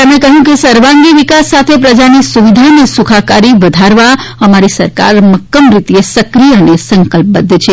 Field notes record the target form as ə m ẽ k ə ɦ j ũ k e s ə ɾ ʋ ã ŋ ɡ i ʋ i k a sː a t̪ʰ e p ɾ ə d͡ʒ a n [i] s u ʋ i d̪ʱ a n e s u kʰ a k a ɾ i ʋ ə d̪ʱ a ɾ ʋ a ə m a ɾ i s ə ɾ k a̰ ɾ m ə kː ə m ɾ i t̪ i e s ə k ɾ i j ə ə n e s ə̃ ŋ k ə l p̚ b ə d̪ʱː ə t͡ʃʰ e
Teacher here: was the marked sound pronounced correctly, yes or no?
yes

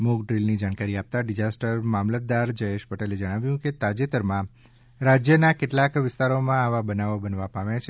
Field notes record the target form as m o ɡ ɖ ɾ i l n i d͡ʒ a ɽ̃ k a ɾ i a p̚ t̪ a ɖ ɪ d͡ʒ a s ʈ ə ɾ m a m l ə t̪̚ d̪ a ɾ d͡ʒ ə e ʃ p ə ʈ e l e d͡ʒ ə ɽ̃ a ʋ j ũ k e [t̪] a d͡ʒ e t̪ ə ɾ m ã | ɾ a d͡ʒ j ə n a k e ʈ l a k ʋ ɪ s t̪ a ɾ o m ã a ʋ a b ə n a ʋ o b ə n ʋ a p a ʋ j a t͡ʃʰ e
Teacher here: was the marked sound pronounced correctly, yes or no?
yes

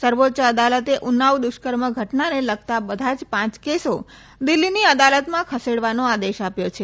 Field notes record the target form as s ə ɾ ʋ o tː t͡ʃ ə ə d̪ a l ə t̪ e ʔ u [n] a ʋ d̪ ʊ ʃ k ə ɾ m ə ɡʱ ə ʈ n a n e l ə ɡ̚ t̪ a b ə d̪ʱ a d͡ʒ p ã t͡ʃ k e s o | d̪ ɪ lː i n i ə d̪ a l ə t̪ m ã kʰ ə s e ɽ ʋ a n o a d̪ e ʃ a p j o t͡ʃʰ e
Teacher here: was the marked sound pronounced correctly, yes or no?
yes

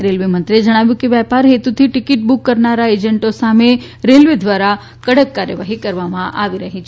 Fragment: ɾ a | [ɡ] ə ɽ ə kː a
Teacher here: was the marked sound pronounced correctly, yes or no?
no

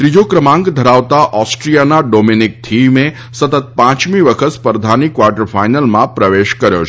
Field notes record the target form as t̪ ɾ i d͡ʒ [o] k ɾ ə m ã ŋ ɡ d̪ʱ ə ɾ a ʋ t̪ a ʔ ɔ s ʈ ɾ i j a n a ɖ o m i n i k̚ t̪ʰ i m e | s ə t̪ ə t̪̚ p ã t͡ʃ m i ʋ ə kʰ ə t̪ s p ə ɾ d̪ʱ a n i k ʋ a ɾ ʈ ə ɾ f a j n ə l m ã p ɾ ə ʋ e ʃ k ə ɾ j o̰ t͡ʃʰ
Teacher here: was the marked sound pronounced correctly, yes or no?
yes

